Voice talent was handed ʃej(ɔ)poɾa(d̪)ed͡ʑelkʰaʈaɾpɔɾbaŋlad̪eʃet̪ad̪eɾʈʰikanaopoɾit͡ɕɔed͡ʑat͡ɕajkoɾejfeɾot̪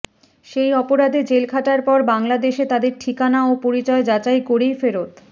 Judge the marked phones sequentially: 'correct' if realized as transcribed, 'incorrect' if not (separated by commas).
correct, correct